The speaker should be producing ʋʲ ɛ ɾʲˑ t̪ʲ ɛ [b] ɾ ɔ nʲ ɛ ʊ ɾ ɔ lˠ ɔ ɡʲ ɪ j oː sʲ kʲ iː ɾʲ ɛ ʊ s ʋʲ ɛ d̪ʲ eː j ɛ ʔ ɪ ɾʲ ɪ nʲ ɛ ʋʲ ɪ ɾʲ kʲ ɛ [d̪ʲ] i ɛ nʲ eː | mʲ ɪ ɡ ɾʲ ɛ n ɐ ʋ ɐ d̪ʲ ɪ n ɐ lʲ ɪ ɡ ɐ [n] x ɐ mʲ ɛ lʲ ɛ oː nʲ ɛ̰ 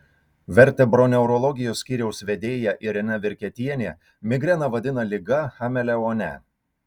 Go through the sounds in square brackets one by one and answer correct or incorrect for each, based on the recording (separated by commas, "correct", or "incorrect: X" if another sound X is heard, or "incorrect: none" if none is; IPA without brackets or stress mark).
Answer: correct, incorrect: t̪ʲ, incorrect: none